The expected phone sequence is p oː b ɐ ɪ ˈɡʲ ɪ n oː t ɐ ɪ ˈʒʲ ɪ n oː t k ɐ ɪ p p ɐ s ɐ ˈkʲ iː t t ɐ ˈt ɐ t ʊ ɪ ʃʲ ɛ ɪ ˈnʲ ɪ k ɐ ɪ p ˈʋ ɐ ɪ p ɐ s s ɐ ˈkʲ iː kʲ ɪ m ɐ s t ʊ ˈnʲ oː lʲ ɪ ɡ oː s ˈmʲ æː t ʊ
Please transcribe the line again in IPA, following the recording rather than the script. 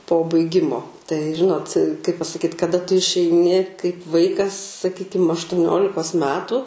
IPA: p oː b ɐ ɪ ˈɡʲ ɪ m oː t ɐ ɪ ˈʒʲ ɪ n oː t k ɐ ɪ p p ɐ s ɐ ˈkʲ iː t k ɐ ˈd ɐ t ʊ ɪ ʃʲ ɛ ɪ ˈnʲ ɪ k ɐ ɪ p ˈʋ ɐ ɪ k ɐ s s ɐ ˈkʲ iː kʲ ɪ m ɐ ʃ t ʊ ˈnʲ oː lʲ ɪ k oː s ˈmʲ æː t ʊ